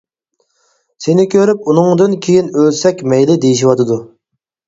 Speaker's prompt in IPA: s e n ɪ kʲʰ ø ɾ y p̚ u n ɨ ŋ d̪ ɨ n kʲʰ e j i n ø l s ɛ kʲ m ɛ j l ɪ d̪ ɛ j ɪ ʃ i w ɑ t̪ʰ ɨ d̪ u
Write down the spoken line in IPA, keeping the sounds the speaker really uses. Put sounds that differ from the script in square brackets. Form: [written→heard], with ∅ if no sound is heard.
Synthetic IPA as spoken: s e n ɪ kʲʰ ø ɾ y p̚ u n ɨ ŋ d̪ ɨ n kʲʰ e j i n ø l s ɛ kʲ m ɛ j l ɪ d̪ [ɛ→e] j [ɪ→i] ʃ i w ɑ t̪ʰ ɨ d̪ u